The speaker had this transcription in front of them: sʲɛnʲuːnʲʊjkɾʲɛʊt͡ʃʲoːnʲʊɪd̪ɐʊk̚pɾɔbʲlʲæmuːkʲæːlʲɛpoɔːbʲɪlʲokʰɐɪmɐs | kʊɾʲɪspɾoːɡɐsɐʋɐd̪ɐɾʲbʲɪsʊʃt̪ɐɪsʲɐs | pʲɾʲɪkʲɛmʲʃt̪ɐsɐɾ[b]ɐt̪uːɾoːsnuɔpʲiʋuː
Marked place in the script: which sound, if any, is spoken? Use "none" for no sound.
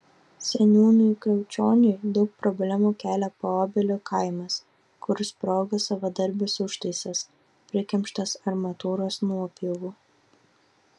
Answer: m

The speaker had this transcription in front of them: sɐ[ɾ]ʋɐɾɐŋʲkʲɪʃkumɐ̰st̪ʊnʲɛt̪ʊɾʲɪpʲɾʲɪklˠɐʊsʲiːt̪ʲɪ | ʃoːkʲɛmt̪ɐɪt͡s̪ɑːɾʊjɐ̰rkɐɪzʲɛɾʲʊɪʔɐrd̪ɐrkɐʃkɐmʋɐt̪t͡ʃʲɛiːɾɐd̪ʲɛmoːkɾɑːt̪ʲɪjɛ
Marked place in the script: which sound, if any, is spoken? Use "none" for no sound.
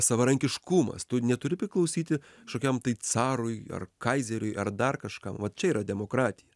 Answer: none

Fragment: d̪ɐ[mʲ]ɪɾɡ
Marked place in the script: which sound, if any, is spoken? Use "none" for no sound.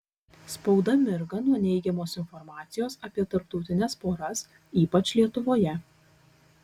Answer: mʲ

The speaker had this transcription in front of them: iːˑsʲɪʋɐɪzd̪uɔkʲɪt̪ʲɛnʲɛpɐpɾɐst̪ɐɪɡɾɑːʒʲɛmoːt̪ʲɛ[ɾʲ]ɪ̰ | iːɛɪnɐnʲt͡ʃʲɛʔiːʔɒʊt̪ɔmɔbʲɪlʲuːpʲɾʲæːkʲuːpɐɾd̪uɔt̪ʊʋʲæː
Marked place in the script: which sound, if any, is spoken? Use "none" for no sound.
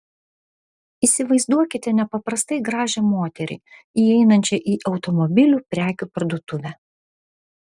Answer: ɾʲ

